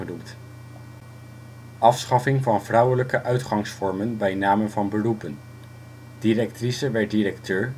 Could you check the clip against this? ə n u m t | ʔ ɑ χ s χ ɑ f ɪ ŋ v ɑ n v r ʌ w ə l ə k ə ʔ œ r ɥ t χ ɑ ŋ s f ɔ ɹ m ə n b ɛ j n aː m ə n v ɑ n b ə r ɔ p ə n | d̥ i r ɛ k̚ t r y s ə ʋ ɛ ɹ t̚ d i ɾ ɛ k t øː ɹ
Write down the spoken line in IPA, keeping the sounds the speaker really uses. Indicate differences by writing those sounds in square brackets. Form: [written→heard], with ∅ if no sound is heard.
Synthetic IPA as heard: ə n u m t | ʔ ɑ [χ→f] s χ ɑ f ɪ ŋ v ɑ n v r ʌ w ə l ə k ə ʔ œ [r→∅] ɥ t χ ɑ ŋ s f ɔ ɹ m ə n b ɛ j n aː m ə n v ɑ n b ə r [ɔ→u] p ə n | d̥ i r ɛ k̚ t r [y→i] s ə ʋ ɛ ɹ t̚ d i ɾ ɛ k t øː ɹ